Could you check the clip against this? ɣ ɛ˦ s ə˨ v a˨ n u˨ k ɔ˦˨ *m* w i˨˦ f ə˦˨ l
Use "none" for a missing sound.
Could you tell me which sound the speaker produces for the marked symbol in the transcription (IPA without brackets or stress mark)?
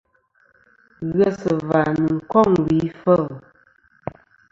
ŋ